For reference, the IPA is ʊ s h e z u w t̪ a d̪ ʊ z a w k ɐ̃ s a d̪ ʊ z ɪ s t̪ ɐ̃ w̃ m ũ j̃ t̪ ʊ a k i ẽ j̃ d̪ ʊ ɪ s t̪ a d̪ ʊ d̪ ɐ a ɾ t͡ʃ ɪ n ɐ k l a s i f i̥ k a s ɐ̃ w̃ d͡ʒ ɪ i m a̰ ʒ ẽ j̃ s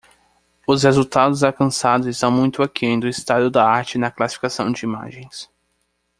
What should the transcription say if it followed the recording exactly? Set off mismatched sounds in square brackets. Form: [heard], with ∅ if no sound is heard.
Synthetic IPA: ʊ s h e z u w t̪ a d̪ ʊ z a w k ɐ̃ s a d̪ ʊ z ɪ s t̪ ɐ̃ w̃ m ũ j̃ t̪ ʊ a k i ẽ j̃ d̪ ʊ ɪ s t̪ a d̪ ʊ d̪ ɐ a ɾ t͡ʃ ɪ n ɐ k l a s i f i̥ k a s ɐ̃ w̃ d͡ʒ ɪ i m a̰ ʒ ẽ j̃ s